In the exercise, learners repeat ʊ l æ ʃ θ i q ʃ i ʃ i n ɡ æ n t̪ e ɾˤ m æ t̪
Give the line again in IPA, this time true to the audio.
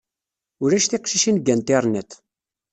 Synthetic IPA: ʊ ɾ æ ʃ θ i q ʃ i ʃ i n ɡ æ n t̪ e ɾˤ n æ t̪